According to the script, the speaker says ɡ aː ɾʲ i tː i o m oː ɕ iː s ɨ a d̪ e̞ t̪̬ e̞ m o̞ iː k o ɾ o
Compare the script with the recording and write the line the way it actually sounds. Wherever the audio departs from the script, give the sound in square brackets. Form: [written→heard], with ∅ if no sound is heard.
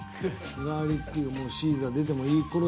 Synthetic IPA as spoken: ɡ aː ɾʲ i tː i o m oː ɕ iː [s→z] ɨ a d̪ e̞ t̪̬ e̞ m o̞ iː k o ɾ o

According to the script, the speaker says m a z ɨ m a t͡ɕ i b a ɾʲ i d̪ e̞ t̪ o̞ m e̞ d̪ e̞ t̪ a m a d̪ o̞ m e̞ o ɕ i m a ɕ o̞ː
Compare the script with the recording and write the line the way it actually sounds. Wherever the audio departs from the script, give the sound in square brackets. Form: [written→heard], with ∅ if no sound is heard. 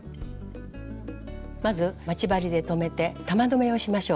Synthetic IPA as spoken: m a z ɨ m a t͡ɕ i b a ɾʲ i d̪ e̞ t̪ o̞ m e̞ [d̪→t̪] e̞ t̪ a m a d̪ o̞ m e̞ o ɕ i m a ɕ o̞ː

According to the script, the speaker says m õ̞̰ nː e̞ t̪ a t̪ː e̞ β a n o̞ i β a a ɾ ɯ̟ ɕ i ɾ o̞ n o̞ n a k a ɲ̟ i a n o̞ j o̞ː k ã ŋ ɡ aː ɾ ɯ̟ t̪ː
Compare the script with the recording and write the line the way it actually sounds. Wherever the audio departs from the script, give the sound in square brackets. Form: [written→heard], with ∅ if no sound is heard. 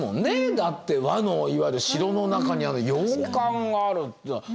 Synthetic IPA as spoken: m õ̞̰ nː e̞ [t̪→d̪] a t̪ː e̞ β a n o̞ i β a [a→i] ɾ ɯ̟ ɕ i ɾ o̞ n o̞ n a k a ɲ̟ i a n o̞ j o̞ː k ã ŋ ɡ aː ɾ ɯ̟ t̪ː

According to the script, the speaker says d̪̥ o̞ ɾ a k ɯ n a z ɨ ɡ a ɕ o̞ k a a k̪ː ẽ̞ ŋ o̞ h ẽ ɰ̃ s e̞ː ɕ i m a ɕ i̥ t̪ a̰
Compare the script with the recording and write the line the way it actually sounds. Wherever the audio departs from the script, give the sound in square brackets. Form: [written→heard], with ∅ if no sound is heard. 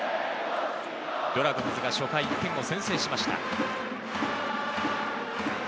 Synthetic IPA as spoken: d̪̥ o̞ ɾ a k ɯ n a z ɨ ɡ a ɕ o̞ k a [a→i] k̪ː ẽ̞ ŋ o̞ [h→s] ẽ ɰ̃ s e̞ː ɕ i m a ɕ i̥ t̪ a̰

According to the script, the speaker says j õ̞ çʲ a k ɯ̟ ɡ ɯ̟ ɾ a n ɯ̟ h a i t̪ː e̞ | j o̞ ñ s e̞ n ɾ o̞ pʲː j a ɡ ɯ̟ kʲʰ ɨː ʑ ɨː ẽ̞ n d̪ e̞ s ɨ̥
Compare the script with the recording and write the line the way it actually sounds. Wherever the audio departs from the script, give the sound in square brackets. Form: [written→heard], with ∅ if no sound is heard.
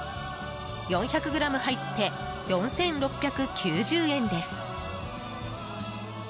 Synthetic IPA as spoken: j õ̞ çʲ a k ɯ̟ ɡ ɯ̟ ɾ a [n→m] ɯ̟ h a i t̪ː e̞ | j [o̞→õ̞] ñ s [e̞→ẽ̞] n ɾ o̞ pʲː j a [ɡ→k] ɯ̟ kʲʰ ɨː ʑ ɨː ẽ̞ n d̪ e̞ s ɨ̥

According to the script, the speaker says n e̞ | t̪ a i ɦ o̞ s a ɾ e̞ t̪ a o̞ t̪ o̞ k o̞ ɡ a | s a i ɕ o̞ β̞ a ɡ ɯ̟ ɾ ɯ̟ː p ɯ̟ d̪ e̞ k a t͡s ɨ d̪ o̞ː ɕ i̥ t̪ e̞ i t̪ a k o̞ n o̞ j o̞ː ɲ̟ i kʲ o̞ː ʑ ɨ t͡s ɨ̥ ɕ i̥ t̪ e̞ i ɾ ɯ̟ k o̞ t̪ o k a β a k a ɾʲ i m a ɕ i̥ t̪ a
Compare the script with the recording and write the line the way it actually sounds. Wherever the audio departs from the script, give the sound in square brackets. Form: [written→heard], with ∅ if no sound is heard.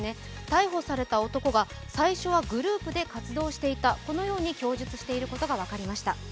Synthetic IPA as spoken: n e̞ | t̪ a i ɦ o̞ s a ɾ e̞ t̪ a o̞ t̪ o̞ k o̞ ɡ a | s a i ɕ o̞ β̞ a ɡ ɯ̟ ɾ ɯ̟ː p ɯ̟ d̪ e̞ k a t͡s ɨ d̪ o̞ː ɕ i̥ t̪ e̞ i t̪ a k o̞ n o̞ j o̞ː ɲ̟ i kʲ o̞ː ʑ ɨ t͡s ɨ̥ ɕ i̥ t̪ e̞ i ɾ ɯ̟ k o̞ t̪ o [k→ɡ] a β a k a ɾʲ i m a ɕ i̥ t̪ a

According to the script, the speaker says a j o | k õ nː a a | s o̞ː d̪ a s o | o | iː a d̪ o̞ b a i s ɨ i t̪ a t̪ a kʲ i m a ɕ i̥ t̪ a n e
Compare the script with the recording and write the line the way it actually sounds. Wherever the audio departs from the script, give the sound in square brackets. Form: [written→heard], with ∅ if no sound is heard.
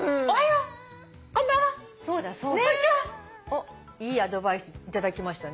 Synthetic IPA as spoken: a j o | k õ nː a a | s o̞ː d̪ a s o | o | iː a d̪ o̞ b a i s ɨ i t̪ a [t̪→d̪] a kʲ i m a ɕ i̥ t̪ a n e

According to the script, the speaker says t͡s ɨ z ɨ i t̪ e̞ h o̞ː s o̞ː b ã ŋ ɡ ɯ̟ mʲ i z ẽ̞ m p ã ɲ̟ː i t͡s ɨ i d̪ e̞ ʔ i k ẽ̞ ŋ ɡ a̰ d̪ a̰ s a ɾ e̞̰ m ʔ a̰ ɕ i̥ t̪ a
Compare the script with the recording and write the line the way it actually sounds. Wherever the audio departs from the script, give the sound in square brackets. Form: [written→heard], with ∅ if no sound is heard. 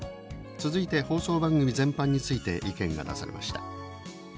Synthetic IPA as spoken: t͡s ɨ z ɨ i t̪ e̞ h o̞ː s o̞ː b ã ŋ ɡ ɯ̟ mʲ i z ẽ̞ m p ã ɲ̟ː i t͡s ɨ i [d̪→t̪] e̞ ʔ i k ẽ̞ ŋ ɡ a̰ d̪ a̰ s a ɾ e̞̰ m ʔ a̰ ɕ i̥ t̪ a

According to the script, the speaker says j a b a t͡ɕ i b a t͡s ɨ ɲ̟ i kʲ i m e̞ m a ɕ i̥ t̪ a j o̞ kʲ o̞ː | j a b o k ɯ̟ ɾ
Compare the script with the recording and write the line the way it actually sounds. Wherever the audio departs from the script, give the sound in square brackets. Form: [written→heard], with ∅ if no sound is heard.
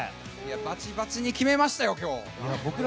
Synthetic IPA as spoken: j a b a t͡ɕ i b a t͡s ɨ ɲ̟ i kʲ i m e̞ m a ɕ i̥ t̪ a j o̞ kʲ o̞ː | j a b o k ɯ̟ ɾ

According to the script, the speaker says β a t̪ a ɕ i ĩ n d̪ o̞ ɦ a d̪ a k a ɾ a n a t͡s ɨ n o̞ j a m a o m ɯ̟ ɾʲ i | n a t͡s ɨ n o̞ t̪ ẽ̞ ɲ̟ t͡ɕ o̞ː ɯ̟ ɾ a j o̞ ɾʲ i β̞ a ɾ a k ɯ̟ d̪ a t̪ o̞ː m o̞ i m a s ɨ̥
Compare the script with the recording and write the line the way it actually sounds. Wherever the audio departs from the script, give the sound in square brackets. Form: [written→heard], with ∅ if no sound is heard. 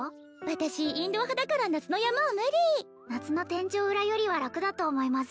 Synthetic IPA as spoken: β a t̪ a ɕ i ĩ n d̪ o̞ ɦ a d̪ a k a ɾ a n a t͡s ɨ n o̞ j a m a o m ɯ̟ ɾʲ i | n a t͡s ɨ n o̞ t̪ ẽ̞ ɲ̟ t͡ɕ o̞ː ɯ̟ ɾ a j o̞ ɾʲ i β̞ a ɾ a k ɯ̟ d̪ a t̪ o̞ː m o̞ i m a s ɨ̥

